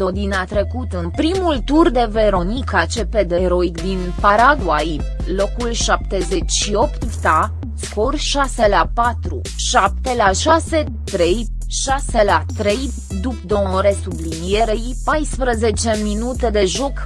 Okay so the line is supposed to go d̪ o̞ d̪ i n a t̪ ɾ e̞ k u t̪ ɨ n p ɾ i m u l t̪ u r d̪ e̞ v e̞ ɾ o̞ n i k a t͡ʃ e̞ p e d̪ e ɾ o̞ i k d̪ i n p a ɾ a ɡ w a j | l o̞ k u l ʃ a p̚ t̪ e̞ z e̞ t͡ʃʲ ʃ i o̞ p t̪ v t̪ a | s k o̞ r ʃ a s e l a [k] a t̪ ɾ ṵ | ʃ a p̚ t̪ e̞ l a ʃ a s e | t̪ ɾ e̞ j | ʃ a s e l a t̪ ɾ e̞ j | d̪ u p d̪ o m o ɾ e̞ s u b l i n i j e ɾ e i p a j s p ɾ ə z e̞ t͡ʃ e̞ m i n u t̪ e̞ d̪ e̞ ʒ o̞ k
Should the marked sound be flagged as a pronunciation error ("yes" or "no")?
yes